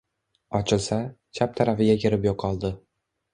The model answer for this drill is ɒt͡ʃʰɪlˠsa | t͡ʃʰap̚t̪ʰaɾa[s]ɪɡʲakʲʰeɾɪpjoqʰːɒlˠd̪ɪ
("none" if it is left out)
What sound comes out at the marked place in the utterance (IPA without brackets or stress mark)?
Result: f